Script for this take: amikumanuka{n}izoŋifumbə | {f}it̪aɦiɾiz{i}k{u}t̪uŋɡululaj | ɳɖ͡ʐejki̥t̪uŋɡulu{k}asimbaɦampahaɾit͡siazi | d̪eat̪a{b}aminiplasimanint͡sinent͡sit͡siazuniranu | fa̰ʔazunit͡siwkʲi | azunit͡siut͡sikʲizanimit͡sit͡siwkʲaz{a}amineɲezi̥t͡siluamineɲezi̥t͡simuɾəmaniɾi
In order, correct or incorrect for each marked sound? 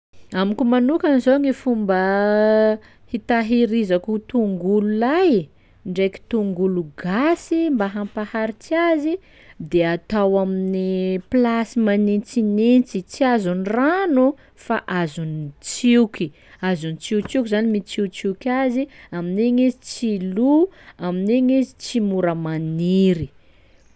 correct, incorrect, incorrect, correct, incorrect, incorrect, incorrect

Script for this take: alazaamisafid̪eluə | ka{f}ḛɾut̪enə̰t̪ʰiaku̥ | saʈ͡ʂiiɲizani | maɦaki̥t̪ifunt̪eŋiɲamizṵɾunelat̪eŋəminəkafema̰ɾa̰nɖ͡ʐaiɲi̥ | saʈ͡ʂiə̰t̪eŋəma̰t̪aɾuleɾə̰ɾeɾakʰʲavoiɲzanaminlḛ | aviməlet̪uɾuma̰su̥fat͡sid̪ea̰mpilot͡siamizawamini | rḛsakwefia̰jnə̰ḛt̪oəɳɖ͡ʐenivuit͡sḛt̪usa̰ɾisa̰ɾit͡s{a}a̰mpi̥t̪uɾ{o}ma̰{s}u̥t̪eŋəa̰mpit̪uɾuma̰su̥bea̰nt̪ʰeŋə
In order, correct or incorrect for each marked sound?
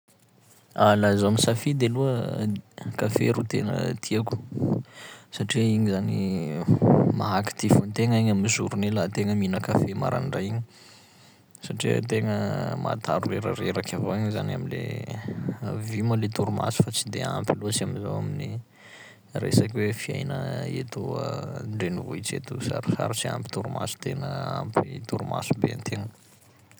correct, incorrect, incorrect, correct

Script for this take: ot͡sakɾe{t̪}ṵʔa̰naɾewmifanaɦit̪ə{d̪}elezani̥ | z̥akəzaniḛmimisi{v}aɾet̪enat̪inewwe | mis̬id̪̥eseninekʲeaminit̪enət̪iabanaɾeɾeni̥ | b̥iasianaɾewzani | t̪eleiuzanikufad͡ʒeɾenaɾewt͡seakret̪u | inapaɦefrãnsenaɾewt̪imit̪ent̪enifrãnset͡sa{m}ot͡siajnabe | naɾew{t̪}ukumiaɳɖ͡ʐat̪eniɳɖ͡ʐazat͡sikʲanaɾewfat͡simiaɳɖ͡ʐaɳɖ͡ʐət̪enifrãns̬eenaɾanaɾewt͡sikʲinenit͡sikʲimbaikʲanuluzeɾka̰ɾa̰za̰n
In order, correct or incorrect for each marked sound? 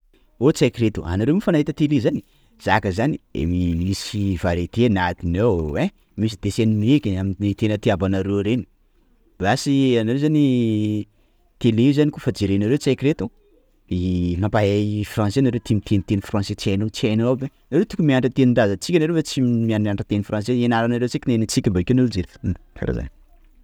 correct, incorrect, correct, incorrect, correct

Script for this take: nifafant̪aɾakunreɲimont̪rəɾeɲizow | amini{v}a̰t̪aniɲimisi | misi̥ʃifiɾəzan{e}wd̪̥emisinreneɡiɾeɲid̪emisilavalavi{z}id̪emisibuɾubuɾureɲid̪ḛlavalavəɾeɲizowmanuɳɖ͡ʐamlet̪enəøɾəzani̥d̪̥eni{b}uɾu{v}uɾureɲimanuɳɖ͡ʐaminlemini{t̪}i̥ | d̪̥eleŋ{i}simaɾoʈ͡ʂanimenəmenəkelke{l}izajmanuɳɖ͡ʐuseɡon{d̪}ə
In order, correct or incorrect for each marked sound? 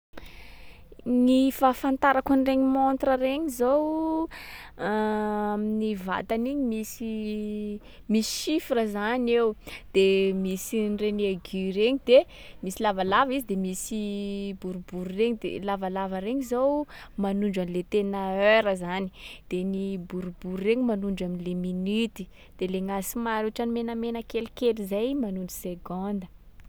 correct, correct, correct, correct, incorrect, correct, incorrect, correct, correct

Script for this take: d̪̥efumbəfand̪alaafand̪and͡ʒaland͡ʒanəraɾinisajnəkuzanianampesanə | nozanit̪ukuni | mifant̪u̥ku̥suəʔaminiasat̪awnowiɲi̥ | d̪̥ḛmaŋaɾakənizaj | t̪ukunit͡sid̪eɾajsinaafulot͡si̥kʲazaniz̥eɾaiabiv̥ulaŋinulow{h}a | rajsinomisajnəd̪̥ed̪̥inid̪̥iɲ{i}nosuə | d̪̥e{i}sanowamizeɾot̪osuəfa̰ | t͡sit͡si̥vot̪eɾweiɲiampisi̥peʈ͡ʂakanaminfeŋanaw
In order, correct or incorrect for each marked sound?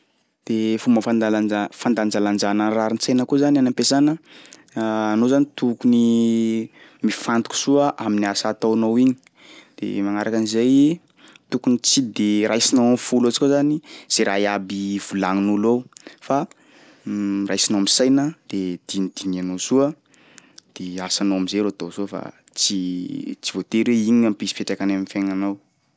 incorrect, incorrect, incorrect

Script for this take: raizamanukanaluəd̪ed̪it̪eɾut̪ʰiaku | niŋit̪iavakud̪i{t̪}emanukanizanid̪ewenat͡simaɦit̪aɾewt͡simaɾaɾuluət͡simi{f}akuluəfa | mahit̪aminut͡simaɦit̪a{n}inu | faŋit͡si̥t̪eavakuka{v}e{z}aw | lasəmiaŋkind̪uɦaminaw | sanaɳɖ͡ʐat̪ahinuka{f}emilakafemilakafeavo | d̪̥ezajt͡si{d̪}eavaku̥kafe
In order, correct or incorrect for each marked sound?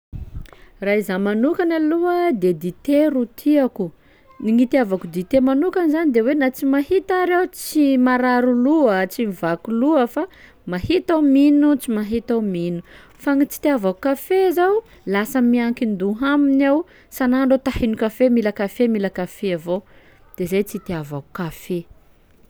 correct, incorrect, incorrect, incorrect, correct, correct, incorrect

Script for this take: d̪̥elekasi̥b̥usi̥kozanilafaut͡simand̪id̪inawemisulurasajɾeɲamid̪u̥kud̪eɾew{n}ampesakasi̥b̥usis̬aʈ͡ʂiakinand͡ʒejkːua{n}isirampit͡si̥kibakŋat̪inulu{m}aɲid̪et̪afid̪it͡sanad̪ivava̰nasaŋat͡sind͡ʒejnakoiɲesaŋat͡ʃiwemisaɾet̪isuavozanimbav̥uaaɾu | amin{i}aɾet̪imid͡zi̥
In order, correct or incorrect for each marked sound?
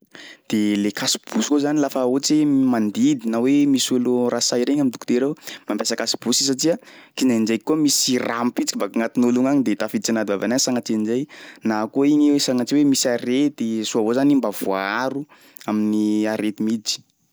incorrect, incorrect, incorrect, correct

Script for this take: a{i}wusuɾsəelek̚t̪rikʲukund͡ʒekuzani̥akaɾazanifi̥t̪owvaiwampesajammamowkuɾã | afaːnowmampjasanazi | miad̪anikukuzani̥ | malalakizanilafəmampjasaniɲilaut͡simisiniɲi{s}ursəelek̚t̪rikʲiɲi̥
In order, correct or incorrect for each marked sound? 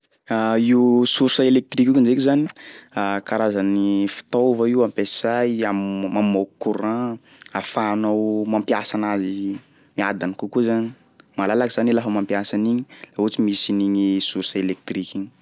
correct, correct

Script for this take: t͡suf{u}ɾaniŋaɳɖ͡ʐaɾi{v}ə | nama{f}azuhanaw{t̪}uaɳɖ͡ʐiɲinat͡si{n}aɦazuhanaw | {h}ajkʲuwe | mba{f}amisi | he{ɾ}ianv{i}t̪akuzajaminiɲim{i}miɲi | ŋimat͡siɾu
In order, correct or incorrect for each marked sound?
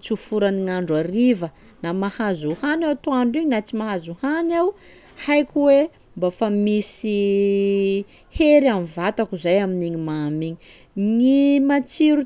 correct, correct, incorrect, correct, incorrect, correct, correct, correct, incorrect, incorrect

